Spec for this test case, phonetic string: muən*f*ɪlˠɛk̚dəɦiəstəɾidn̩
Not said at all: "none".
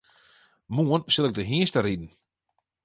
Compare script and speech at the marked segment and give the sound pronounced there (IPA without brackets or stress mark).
s